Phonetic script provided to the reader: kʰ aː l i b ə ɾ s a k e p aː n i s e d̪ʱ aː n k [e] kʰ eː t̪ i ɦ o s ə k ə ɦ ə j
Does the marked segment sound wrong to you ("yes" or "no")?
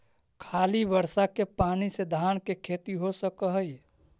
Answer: no